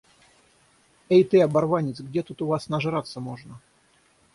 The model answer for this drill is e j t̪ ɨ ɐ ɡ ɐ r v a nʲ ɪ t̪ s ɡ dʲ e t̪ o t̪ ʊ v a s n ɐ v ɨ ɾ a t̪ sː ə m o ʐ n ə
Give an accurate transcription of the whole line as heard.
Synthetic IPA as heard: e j t̪ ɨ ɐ b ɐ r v a nʲ ɪ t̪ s ɡ dʲ e t̪ u t̪ ʊ v a s n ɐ ʐ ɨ ɾ a t̪ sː ə m o ʐ n ə